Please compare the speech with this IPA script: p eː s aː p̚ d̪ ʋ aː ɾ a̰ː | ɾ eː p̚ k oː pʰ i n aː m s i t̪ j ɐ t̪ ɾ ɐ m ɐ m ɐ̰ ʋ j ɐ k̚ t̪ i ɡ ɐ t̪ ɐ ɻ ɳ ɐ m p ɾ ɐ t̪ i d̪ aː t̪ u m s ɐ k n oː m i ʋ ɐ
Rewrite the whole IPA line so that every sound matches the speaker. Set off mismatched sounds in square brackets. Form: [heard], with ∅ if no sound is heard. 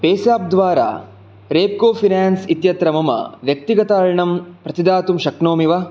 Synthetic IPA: p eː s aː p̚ d̪ ʋ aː ɾ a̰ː | ɾ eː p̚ k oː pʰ i n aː [n] s i t̪ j ɐ t̪ ɾ ɐ m ɐ m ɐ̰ ʋ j ɐ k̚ t̪ i ɡ ɐ t̪ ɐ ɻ ɳ ɐ m p ɾ ɐ t̪ i d̪ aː t̪ u m [ʃ] ɐ k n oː m i ʋ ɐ